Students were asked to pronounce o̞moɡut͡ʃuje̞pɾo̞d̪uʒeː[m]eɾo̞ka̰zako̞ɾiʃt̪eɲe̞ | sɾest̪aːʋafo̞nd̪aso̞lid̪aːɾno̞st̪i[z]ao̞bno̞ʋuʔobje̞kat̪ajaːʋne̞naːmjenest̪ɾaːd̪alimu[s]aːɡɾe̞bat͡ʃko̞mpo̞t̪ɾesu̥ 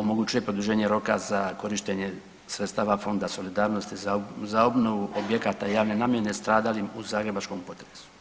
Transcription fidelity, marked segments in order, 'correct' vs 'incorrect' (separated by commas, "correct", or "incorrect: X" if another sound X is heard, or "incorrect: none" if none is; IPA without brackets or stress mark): incorrect: ɲ, correct, incorrect: z